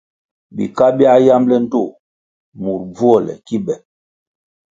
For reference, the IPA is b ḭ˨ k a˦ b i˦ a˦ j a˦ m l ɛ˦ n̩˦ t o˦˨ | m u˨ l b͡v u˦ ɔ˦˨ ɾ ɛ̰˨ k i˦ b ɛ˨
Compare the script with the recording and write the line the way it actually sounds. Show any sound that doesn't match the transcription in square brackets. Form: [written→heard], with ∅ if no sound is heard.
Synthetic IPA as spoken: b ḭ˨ k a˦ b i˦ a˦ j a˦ m l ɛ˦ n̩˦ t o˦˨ | m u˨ [l→ɾ] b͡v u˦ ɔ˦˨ [ɾ→l] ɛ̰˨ k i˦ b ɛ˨

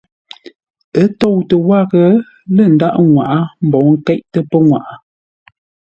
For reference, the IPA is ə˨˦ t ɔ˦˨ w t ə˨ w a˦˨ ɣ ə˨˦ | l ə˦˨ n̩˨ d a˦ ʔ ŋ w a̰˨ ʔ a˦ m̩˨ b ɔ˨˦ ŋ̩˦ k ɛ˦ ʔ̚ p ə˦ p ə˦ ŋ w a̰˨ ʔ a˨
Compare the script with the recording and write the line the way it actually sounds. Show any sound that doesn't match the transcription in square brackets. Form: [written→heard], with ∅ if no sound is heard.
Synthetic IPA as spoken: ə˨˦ t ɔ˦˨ w t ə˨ w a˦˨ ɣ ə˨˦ | l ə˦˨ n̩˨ d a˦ ʔ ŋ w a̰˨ ʔ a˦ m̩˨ b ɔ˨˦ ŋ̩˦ k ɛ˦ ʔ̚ [p→t] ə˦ p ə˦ ŋ w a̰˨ ʔ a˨

